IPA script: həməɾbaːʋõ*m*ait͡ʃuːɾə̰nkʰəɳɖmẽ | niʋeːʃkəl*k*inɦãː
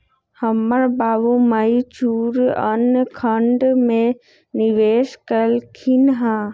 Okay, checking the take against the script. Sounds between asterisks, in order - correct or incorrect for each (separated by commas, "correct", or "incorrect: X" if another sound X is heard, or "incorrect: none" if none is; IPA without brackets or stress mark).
correct, incorrect: kʰ